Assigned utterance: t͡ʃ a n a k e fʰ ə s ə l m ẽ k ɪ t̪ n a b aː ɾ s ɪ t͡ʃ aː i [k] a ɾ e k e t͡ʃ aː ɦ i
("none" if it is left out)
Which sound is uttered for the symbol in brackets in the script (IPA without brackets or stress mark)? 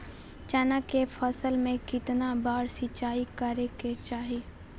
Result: k